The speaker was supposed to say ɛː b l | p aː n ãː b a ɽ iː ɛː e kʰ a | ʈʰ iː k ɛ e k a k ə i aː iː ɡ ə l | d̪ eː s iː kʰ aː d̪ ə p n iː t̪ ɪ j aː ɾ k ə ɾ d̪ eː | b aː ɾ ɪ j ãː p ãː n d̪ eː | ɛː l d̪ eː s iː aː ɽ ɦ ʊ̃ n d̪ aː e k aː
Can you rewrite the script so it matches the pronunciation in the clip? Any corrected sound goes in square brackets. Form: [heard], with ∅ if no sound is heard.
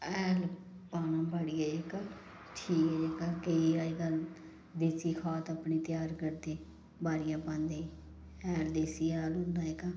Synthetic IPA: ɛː [∅] l | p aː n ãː b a ɽ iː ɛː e [k] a | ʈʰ iː k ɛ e k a k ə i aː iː ɡ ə l | d̪ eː s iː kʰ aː [t̪] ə p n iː t̪ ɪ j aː ɾ k ə ɾ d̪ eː | b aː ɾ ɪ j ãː p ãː n d̪ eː | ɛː l d̪ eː s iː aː [l] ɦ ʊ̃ n d̪ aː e k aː